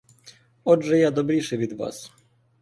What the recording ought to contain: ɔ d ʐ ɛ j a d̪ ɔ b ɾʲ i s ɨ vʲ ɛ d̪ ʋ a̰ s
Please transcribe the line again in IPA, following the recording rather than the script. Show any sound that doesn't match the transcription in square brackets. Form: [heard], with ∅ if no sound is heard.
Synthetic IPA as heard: ɔ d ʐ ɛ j a d̪ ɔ b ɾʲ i [ʂ] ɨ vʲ [i] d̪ [v] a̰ s